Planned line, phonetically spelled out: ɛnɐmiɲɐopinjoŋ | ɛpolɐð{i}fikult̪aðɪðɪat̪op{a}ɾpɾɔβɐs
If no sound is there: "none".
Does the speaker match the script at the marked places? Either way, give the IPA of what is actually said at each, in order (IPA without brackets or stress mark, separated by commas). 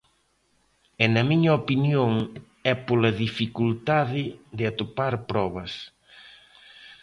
i, a